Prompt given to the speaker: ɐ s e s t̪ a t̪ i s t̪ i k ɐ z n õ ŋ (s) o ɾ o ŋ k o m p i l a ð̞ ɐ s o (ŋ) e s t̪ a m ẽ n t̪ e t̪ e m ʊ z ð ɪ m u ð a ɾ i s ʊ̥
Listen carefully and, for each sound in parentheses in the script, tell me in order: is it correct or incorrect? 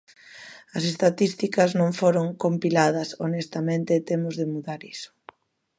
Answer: incorrect, incorrect

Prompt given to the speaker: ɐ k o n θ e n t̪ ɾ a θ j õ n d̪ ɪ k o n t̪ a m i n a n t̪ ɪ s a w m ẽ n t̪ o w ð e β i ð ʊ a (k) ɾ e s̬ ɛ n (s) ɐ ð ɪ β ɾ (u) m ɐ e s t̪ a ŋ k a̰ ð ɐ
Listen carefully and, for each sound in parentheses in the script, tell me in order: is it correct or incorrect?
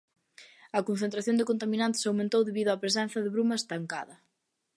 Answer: incorrect, incorrect, correct

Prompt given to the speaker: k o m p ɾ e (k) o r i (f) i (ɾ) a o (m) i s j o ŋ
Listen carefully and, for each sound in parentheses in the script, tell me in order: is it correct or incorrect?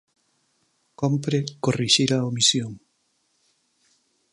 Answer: correct, incorrect, correct, correct

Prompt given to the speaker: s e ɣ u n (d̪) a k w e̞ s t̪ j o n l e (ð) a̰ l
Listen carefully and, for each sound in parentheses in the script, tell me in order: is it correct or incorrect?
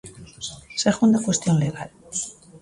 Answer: correct, incorrect

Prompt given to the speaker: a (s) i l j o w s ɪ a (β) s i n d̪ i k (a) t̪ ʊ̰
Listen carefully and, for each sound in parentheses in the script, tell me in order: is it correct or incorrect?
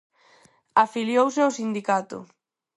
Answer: incorrect, incorrect, correct

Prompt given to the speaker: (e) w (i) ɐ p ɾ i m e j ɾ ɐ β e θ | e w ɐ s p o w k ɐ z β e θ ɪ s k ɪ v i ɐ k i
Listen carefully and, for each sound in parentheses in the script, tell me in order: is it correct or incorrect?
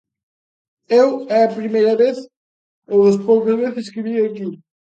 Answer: correct, incorrect

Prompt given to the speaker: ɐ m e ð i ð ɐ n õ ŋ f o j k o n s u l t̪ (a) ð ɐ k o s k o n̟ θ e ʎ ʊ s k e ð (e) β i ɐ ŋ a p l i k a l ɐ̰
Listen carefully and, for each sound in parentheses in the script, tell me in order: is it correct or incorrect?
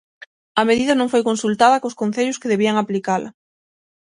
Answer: correct, correct

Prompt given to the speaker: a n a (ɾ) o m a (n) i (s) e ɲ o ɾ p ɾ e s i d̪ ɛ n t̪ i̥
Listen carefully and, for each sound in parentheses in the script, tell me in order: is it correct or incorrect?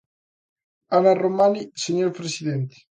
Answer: incorrect, correct, correct

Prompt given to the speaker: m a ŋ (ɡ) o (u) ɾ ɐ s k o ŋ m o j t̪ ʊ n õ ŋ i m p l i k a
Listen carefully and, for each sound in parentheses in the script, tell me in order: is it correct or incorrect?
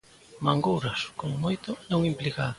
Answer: correct, incorrect

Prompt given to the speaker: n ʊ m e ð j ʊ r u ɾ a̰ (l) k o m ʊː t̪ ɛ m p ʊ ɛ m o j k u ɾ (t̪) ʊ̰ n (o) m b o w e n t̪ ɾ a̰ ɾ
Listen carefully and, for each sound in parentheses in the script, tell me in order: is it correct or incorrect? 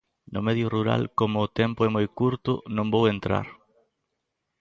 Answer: correct, correct, incorrect

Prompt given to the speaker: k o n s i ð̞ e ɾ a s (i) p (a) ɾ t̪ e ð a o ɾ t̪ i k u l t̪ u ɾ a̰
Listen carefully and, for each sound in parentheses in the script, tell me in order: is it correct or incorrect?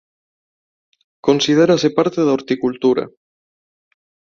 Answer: incorrect, correct

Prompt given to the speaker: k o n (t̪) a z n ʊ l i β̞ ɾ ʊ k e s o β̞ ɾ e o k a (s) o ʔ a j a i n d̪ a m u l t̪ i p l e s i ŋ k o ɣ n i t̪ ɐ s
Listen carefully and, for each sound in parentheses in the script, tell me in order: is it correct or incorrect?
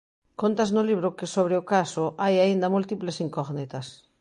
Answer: correct, correct

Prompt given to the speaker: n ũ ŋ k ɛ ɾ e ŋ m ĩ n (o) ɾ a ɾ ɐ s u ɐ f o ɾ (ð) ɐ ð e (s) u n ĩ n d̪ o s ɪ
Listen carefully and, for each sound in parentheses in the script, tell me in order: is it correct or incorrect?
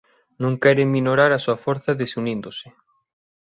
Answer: correct, incorrect, correct

